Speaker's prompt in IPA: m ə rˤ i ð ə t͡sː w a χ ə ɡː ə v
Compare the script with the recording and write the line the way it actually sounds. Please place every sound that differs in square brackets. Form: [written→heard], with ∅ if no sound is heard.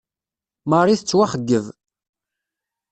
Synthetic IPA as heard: m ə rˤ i [ð→θ] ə t͡sː w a χ ə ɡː ə v